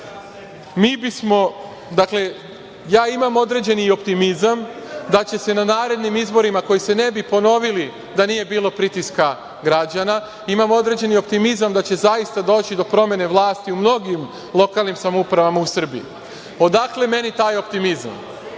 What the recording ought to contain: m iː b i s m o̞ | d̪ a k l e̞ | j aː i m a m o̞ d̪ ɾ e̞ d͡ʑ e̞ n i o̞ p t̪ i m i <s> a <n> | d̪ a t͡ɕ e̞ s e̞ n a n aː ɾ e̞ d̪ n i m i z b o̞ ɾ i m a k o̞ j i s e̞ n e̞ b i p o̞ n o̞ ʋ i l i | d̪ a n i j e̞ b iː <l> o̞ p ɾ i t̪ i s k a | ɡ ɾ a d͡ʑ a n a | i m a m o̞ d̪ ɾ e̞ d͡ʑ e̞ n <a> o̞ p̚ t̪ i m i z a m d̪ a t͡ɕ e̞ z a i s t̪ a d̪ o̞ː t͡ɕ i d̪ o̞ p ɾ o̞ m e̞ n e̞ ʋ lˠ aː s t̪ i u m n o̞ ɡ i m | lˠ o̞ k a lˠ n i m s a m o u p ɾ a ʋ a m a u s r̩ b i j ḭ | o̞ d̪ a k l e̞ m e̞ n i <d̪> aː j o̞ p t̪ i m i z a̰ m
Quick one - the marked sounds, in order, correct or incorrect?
incorrect: z, incorrect: m, correct, incorrect: i, incorrect: t̪

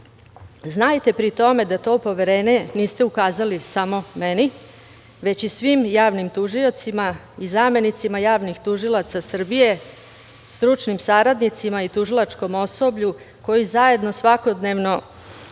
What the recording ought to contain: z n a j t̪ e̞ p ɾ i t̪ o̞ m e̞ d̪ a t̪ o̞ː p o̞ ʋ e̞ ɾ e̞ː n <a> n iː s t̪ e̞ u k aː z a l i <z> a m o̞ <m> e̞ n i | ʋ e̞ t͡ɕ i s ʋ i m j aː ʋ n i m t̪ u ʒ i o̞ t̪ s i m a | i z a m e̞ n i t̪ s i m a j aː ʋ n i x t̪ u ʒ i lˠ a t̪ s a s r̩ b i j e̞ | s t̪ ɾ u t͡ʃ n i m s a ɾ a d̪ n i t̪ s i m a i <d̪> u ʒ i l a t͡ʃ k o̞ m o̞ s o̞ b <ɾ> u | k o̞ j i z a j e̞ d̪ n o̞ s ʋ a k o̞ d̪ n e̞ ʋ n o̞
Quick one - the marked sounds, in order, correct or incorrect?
incorrect: e, incorrect: s, correct, incorrect: t̪, incorrect: ʎ

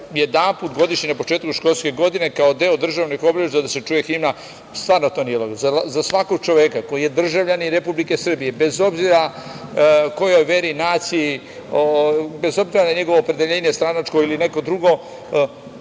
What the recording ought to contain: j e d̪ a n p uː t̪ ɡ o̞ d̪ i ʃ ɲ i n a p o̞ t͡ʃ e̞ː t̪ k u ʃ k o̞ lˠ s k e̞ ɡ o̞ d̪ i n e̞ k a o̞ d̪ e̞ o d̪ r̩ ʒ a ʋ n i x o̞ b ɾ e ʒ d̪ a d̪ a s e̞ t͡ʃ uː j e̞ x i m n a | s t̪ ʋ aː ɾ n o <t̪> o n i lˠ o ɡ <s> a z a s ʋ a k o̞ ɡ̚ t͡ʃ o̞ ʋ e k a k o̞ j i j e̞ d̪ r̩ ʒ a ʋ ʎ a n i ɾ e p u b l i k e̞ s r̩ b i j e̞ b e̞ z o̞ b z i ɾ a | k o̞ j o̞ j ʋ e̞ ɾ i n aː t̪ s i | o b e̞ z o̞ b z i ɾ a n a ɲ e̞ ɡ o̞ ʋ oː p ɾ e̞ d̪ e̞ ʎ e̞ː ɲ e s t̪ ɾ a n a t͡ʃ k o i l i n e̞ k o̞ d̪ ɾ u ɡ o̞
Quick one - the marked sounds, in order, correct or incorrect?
correct, incorrect: z

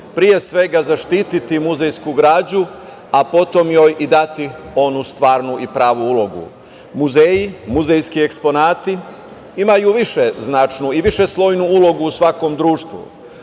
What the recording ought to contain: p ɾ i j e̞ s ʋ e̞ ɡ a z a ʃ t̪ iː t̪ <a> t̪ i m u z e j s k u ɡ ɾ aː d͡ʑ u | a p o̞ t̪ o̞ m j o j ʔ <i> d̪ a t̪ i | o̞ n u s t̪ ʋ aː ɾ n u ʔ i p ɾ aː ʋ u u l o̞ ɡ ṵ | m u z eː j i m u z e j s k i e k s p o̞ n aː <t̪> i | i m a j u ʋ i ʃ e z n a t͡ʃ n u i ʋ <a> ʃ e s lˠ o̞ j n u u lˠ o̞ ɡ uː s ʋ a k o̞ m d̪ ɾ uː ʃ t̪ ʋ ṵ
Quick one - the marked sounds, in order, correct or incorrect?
incorrect: i, correct, correct, incorrect: i

